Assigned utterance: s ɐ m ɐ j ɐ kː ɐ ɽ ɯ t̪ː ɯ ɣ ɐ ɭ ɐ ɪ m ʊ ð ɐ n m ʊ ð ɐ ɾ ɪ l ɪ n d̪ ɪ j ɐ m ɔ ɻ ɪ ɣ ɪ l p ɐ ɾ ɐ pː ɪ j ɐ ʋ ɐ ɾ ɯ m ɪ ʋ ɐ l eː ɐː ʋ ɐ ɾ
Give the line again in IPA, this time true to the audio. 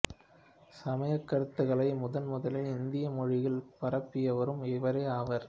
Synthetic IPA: s ɐ m ɐ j ɐ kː ɐ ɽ ɯ t̪ː ɯ ɣ ɐ ɭ ɐ ɪ m ʊ ð ɐ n m ʊ ð ɐ l ɪ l ɪ n d̪ ɪ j ɐ m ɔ ɻ ɪ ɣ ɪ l p ɐ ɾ ɐ pː ɪ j ɐ ʋ ɐ ɾ ɯ m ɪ ʋ ɐ ɾ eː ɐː ʋ ɐ ɾ